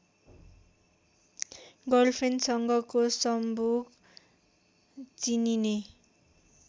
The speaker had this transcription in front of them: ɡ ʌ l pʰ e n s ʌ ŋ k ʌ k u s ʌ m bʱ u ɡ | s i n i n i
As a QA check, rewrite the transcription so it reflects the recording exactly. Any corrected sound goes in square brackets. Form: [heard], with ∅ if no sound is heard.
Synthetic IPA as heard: ɡ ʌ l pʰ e n s ʌ ŋ [ɡ] ʌ k [o] s ʌ m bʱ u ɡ | [t͡s] i n i n [e]